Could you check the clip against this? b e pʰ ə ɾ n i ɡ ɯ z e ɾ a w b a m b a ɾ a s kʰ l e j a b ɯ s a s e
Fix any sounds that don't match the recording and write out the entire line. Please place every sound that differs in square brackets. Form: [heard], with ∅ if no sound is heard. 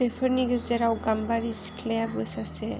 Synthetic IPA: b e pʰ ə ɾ n i ɡ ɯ z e ɾ a w [ɡ] a m b a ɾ [i] s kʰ l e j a b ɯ s a s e